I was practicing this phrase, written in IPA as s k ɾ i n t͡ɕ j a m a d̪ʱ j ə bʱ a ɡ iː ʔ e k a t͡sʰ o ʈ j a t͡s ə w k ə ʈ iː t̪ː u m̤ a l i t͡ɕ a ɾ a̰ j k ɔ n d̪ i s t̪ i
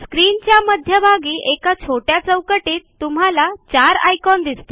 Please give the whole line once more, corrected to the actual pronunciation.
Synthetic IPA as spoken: s k ɾ i n t͡ɕ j a m ə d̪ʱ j ə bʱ a ɡ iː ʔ e k a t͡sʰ o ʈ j a t͡s ə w k ə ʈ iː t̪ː u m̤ a l a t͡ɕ a ɾ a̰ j k ɔ n d̪ i s t̪ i